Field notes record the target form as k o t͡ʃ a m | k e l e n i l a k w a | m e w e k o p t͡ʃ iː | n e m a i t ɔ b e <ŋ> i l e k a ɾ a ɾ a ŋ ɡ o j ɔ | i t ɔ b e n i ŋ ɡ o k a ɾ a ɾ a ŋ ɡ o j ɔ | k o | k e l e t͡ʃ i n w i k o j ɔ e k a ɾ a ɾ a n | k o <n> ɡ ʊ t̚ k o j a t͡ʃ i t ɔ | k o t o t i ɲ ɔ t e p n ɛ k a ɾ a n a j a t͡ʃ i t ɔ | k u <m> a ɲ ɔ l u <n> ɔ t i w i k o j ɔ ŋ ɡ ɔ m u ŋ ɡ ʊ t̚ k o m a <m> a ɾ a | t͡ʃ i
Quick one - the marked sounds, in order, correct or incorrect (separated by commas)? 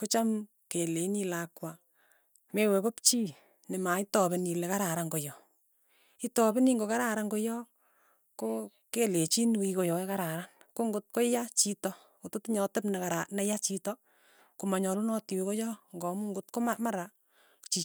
incorrect, incorrect, correct, correct, correct